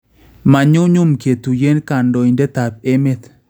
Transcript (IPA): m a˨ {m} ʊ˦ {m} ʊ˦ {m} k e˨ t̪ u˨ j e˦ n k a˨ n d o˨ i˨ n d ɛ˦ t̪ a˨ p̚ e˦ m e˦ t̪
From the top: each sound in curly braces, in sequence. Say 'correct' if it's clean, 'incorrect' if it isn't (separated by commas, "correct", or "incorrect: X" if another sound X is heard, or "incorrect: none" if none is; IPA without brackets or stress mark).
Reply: incorrect: ɲ, incorrect: ɲ, correct